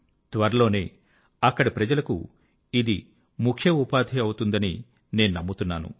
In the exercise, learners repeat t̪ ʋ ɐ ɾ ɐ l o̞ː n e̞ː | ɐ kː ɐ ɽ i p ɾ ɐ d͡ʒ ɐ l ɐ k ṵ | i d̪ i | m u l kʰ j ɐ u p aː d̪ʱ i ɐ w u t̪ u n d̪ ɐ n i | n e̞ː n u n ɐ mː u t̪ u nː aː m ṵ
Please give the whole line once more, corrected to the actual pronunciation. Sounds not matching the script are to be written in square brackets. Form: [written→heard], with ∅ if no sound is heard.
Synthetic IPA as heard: t̪ ʋ ɐ ɾ ɐ l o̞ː n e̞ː | ɐ kː ɐ ɽ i p ɾ ɐ d͡ʒ ɐ l ɐ k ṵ | i d̪ i | m u [l→∅] kʰ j ɐ u p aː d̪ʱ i ɐ w u t̪ u n d̪ ɐ n i | n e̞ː n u n ɐ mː u t̪ u nː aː [m→n] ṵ